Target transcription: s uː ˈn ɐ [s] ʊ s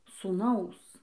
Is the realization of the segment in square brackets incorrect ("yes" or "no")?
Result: yes